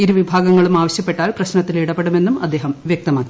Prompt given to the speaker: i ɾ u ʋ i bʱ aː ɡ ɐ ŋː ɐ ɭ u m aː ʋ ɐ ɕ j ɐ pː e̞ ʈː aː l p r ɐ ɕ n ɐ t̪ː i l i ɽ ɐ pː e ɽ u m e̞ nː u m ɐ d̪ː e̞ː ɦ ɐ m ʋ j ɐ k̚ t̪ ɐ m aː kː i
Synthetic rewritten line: i ɾ u ʋ i bʱ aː ɡ ɐ ŋː ɐ ɭ u m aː ʋ ɐ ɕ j ɐ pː e̞ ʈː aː l p r ɐ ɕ n ɐ t̪ː i l i ɽ ɐ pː e ɽ u m e̞ nː u m ɐ d̪ː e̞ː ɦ ɐ m ʋ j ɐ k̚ t̪ ɐ m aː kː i